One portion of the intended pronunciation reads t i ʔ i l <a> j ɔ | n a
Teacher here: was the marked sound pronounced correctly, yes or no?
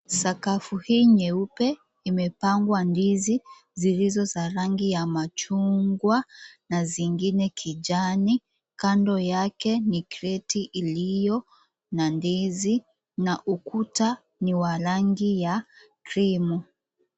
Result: no